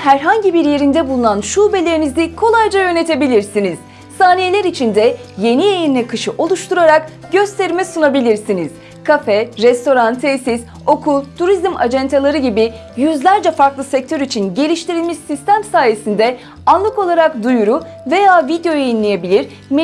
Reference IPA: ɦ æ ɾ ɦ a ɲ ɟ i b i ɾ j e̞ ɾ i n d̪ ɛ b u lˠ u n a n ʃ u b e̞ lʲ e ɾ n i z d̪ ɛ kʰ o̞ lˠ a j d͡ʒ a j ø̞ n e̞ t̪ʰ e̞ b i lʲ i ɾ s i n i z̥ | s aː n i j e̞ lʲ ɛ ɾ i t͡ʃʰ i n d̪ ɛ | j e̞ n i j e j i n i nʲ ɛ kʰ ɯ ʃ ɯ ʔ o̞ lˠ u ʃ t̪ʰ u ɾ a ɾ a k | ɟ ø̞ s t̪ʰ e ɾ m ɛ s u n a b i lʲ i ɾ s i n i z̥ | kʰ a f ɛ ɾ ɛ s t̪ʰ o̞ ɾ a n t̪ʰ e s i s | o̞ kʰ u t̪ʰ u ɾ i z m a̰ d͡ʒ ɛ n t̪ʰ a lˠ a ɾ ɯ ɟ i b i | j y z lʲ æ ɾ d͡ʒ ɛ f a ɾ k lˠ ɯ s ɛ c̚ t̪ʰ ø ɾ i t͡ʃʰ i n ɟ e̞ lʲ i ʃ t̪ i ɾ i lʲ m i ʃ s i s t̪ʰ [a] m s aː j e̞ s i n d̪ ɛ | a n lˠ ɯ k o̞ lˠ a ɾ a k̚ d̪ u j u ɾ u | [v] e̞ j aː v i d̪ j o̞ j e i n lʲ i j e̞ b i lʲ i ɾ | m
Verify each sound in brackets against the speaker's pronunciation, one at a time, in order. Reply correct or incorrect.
incorrect, correct

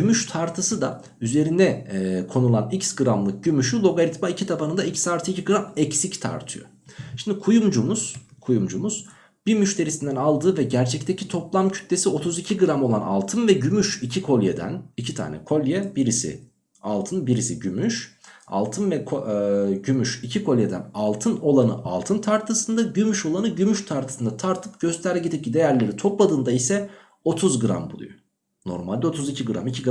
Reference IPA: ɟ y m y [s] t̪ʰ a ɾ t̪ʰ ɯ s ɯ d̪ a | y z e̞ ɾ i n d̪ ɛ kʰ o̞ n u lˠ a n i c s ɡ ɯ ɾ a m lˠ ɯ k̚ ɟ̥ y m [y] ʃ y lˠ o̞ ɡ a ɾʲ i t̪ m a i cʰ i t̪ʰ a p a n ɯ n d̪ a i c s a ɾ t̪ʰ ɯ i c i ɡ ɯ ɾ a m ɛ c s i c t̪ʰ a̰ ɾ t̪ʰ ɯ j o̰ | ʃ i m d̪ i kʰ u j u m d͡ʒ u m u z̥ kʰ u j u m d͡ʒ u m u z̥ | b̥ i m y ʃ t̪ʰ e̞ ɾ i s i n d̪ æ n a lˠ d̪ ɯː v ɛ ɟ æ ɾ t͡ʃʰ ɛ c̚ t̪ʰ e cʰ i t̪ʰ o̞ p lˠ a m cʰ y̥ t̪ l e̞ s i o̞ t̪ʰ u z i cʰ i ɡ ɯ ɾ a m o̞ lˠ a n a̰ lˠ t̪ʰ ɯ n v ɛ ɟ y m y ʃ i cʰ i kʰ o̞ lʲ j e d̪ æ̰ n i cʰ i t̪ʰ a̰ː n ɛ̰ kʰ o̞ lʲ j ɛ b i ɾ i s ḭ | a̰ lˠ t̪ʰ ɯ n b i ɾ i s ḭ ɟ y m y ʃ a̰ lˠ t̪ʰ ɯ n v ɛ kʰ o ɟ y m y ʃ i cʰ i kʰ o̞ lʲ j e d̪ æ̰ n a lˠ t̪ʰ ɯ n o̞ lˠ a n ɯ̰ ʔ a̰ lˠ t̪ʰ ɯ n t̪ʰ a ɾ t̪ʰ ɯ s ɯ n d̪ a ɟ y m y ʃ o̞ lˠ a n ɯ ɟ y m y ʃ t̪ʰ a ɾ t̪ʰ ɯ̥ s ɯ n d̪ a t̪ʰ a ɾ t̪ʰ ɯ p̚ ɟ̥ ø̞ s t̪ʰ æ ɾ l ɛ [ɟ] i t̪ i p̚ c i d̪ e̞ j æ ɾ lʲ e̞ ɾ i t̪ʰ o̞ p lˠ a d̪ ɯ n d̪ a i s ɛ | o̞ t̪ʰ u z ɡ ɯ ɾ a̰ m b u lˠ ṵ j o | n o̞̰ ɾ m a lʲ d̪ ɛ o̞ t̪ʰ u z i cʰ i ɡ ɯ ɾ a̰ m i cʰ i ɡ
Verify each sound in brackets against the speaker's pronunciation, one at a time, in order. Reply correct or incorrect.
incorrect, correct, correct

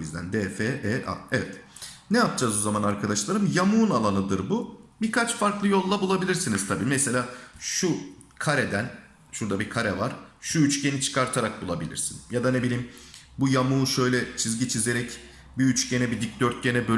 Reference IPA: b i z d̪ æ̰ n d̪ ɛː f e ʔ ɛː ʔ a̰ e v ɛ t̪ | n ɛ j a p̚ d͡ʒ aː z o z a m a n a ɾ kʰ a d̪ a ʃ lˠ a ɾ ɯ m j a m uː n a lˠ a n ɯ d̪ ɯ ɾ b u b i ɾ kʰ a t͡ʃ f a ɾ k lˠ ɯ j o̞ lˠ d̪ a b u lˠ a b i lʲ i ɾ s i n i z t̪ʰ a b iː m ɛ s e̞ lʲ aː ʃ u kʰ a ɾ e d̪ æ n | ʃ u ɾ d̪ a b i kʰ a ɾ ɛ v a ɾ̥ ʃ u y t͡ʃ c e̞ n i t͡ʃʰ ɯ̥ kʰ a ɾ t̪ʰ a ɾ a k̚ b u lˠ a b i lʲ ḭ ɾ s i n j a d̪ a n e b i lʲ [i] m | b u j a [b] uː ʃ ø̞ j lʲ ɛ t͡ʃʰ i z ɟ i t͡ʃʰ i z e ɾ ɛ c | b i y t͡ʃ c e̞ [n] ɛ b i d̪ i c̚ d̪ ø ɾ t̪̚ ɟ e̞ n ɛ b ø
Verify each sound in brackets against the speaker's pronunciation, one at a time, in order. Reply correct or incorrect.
incorrect, incorrect, correct

